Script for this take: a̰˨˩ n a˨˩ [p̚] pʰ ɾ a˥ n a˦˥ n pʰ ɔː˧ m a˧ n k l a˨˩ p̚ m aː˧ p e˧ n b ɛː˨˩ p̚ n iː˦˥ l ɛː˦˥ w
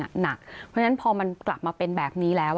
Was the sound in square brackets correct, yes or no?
no